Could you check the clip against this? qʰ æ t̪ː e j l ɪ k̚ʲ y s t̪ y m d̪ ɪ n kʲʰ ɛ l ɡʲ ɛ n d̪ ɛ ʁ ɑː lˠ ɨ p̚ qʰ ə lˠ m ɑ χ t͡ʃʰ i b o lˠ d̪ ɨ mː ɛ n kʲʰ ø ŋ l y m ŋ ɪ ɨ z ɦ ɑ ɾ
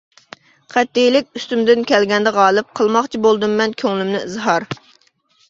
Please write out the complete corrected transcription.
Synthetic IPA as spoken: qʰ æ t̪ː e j l ɪ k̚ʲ y s t̪ y m d̪ ɪ n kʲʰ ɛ l ɡʲ ɛ n d̪ ɛ ʁ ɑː lˠ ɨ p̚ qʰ ə lˠ m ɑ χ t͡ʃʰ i b o lˠ d̪ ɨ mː ɛ n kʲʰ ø ŋ l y m n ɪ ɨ z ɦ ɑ ɾ